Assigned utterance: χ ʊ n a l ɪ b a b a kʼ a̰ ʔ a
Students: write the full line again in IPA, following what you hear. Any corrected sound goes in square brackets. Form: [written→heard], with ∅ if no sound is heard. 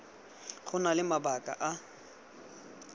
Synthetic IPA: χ ʊ n a l ɪ [b→m] a b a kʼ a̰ ʔ a